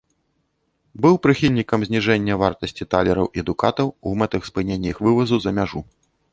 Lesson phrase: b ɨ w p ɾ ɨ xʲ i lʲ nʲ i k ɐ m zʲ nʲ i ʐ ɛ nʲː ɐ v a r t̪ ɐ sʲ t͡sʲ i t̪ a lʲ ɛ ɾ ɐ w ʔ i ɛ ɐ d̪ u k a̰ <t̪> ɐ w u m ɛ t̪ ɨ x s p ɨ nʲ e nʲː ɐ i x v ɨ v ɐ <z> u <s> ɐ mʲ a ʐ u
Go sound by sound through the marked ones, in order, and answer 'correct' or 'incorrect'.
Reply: correct, correct, incorrect

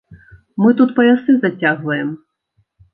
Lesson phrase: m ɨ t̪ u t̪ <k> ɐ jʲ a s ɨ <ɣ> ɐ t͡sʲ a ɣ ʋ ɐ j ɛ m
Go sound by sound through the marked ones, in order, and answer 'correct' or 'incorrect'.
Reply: incorrect, incorrect

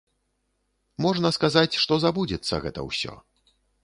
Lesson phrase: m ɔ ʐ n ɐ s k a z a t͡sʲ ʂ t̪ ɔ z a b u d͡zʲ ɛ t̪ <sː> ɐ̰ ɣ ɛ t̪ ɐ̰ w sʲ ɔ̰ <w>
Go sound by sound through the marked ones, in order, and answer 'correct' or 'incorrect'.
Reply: correct, incorrect

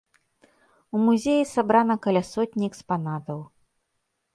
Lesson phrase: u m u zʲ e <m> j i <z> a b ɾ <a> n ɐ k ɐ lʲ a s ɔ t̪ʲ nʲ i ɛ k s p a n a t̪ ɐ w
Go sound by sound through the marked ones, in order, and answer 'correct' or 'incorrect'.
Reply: incorrect, incorrect, correct

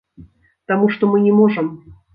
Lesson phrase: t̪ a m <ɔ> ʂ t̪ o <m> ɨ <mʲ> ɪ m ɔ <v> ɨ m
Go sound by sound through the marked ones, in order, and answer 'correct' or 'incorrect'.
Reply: incorrect, correct, incorrect, incorrect

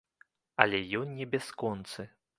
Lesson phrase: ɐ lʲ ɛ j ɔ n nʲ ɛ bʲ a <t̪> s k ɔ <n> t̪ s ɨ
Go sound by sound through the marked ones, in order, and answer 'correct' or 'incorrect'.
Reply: incorrect, correct

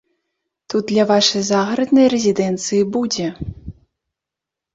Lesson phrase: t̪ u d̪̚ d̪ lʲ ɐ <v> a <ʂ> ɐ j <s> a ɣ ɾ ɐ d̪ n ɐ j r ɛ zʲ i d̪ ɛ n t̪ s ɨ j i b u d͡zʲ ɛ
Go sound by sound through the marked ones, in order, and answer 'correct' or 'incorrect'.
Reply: correct, correct, incorrect

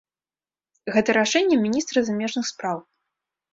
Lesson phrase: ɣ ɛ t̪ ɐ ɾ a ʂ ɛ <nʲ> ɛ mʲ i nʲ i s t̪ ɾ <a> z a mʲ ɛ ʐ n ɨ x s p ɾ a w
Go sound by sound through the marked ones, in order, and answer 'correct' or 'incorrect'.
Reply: incorrect, incorrect

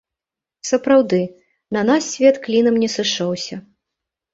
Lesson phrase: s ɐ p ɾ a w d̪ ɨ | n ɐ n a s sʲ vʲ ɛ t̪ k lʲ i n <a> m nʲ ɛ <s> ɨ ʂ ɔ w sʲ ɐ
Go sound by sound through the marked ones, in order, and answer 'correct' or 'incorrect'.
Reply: incorrect, correct

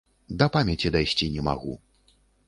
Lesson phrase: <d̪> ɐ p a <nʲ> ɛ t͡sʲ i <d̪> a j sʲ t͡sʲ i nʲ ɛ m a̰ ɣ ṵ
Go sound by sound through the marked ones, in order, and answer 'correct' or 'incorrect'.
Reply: correct, incorrect, correct

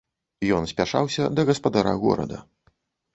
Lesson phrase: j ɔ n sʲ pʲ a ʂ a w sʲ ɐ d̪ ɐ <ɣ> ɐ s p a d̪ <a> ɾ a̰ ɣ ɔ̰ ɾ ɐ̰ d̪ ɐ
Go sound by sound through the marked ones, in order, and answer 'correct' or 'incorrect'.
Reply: correct, correct

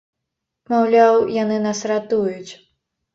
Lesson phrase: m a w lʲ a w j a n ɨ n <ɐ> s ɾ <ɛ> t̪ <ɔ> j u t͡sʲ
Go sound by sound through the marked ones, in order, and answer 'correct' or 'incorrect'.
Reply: incorrect, incorrect, incorrect

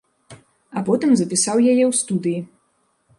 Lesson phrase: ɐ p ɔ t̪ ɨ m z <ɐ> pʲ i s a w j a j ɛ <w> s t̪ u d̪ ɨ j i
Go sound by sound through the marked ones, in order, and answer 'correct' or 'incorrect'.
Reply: correct, correct

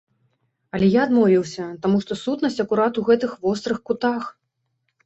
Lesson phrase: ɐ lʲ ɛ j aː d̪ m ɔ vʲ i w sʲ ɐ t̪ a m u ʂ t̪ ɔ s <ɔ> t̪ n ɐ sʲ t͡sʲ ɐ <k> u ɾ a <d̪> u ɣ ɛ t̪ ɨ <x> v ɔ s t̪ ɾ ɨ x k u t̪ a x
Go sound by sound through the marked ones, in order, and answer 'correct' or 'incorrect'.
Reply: incorrect, correct, incorrect, correct

